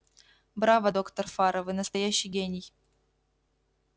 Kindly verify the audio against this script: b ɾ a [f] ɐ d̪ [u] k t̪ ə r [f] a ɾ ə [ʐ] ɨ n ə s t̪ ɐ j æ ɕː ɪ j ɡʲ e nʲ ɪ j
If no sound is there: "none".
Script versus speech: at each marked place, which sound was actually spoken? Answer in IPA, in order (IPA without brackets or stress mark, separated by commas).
v, o, f, v